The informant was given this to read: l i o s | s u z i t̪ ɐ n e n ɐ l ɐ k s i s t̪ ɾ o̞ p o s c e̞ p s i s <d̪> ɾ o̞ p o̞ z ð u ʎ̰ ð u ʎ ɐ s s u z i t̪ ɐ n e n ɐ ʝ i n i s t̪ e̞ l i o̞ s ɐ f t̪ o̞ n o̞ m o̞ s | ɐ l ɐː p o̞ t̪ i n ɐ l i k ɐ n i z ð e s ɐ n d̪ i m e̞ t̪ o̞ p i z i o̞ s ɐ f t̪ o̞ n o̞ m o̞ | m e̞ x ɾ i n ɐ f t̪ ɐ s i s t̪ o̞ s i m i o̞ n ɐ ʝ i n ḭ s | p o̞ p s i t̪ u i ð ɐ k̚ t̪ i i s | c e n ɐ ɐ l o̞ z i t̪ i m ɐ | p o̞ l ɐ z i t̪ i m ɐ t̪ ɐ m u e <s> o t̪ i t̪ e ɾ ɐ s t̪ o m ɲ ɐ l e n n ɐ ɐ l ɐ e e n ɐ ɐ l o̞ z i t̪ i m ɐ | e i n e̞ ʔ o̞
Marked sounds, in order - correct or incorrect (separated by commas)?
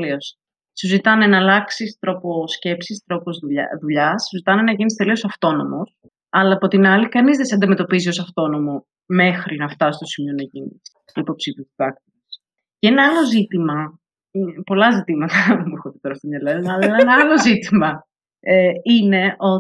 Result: incorrect, incorrect